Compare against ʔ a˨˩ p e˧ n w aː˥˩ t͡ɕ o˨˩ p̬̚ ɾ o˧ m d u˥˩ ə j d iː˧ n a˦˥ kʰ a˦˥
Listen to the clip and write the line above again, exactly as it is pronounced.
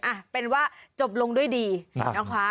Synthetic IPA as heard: ʔ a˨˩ p e˧ n w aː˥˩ t͡ɕ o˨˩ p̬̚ l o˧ ŋ d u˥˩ ə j d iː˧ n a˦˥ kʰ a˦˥